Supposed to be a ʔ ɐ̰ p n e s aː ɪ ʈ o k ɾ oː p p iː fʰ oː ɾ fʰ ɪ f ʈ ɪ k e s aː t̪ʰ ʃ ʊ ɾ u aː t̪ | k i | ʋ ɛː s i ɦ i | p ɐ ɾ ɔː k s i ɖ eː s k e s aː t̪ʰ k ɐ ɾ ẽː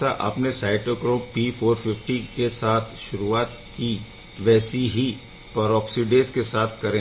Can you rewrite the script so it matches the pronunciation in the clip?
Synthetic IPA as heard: a ʔ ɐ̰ p n e s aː ɪ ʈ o k ɾ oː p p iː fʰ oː ɾ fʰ ɪ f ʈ i k e s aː t̪ʰ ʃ ʊ ɾ u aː t̪ | k i | ʋ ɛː s i ɦ i | p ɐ ɾ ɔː k s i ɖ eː s k e s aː t̪ʰ k ɐ ɾ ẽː